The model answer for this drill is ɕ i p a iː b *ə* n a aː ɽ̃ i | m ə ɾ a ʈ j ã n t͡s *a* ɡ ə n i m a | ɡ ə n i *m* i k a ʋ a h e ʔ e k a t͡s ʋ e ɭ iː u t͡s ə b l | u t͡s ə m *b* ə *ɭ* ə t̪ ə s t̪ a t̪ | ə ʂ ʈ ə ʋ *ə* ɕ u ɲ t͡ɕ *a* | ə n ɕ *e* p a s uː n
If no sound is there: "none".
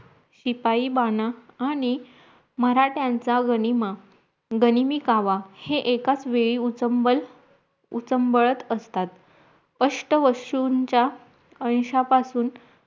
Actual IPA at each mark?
a, a, m, b, ɭ, ə, a, a

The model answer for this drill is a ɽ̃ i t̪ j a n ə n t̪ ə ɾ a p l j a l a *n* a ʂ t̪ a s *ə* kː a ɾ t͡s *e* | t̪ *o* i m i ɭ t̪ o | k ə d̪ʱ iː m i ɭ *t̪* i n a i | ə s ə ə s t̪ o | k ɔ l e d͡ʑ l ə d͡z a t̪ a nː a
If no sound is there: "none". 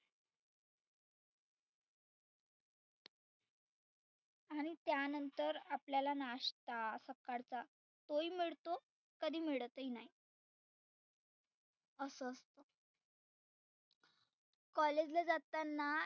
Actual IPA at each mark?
n, ə, a, o, t̪

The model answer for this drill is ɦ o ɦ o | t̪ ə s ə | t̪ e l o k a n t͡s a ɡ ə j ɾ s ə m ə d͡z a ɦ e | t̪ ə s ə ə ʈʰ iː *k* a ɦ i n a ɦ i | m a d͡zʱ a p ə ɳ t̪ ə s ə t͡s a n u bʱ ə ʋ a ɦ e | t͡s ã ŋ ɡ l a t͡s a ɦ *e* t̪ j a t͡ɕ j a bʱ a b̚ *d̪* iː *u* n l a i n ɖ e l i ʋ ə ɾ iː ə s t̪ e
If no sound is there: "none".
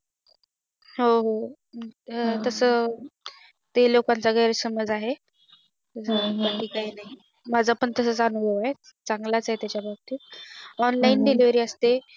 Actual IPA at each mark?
k, e, t̪, ɔ

